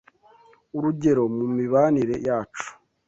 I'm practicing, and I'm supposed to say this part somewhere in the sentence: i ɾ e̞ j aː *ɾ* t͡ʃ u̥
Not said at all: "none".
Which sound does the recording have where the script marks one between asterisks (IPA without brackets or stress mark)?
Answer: none